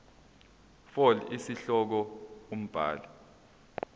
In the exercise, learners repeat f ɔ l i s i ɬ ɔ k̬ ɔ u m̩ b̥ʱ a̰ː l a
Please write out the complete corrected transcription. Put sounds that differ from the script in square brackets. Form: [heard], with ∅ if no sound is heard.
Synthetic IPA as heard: f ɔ l i s i ɬ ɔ k̬ ɔ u m̩ b̥ʱ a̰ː l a